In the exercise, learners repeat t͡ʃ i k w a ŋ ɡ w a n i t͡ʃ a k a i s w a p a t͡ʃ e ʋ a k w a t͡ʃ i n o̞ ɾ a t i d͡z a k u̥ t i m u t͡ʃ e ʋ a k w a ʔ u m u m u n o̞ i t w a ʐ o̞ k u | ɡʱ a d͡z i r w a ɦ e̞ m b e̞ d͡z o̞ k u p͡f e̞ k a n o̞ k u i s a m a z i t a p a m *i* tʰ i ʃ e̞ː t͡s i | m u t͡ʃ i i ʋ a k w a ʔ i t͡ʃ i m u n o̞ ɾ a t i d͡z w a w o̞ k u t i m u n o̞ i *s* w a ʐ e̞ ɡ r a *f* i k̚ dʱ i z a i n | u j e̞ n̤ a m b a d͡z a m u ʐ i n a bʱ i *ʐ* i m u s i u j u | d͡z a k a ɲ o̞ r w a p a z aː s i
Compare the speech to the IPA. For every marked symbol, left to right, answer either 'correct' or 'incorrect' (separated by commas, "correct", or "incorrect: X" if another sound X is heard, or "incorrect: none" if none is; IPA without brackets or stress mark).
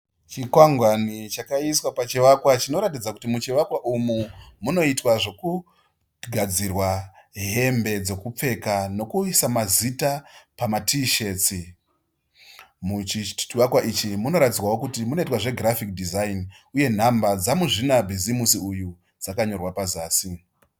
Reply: incorrect: a, incorrect: t, correct, incorrect: z